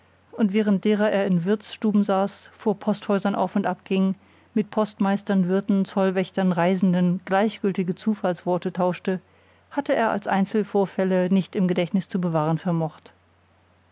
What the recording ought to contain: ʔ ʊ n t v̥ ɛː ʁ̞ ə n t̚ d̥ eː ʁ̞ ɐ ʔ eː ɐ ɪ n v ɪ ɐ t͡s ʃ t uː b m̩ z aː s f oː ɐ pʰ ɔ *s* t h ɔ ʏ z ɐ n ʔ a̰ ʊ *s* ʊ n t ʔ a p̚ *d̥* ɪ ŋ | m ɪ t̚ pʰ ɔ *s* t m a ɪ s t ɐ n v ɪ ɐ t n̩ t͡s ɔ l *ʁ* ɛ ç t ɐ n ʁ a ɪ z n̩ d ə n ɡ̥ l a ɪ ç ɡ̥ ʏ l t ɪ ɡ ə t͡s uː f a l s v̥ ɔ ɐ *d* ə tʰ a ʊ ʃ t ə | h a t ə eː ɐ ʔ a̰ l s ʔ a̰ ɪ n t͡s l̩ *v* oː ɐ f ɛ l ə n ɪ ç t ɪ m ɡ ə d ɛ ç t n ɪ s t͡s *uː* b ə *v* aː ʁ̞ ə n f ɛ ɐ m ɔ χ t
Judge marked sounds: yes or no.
yes, no, no, yes, no, no, no, no, yes

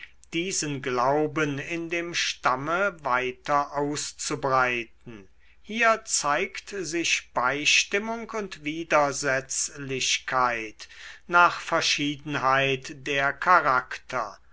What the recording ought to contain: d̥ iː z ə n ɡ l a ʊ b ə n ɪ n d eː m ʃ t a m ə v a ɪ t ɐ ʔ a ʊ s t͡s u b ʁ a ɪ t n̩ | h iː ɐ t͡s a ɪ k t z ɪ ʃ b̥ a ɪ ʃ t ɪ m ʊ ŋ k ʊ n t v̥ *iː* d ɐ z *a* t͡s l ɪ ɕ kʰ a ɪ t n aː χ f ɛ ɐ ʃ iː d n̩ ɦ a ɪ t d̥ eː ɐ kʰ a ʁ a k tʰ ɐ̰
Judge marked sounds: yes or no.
yes, no

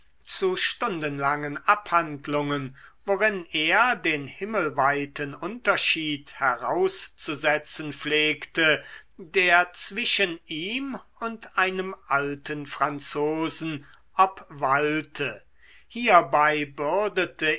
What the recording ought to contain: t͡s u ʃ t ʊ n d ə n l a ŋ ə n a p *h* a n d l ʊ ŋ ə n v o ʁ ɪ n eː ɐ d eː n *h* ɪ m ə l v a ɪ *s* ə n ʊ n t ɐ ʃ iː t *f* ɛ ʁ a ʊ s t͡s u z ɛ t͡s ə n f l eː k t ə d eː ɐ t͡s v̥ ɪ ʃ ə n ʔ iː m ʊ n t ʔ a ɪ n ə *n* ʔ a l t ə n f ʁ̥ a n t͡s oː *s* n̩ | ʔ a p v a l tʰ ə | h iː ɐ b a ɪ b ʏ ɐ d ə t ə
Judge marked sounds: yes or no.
yes, yes, no, no, no, no

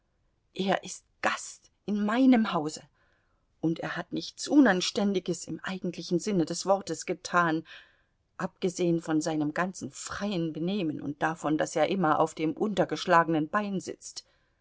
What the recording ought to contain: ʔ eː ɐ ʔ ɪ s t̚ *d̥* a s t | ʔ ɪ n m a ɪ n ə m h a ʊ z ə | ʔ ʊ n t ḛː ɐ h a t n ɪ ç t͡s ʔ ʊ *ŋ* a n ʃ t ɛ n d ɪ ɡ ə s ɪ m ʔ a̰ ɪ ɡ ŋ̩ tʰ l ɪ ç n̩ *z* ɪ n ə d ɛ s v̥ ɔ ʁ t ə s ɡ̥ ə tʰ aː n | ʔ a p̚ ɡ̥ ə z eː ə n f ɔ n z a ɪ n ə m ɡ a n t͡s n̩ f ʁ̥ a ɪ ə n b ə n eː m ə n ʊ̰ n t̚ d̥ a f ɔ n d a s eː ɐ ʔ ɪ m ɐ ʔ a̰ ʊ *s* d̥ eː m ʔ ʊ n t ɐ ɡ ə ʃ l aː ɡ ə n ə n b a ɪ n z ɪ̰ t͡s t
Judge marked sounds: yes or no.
no, no, yes, no

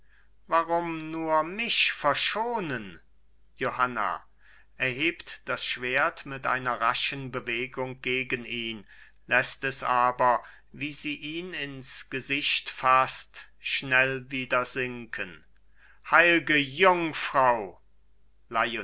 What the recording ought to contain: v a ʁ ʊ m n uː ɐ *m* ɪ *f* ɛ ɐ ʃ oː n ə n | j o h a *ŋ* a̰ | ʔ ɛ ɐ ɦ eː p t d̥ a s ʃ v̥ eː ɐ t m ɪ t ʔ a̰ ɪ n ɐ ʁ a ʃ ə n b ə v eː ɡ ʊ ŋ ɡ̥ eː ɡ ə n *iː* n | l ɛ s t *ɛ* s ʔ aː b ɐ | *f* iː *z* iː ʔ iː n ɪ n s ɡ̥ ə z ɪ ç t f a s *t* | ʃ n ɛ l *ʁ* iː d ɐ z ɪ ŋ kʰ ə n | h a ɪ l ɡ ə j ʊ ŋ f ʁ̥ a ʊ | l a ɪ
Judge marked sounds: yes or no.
yes, yes, no, yes, yes, no, yes, yes, no

